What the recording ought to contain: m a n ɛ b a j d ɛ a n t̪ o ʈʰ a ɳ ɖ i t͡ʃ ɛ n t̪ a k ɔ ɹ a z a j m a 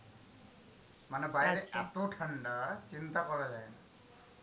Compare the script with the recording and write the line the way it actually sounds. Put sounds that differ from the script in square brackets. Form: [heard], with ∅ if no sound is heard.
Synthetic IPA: m a n ɛ b a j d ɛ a [∅] t̪ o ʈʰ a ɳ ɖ [a] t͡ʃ [i] n t̪ a k ɔ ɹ a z a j [n] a